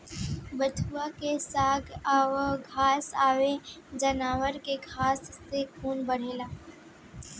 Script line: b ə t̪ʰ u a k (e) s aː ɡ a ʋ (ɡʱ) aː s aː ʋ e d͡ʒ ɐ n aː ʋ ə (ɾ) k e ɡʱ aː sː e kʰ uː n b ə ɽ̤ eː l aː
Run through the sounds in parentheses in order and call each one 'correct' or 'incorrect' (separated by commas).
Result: correct, correct, correct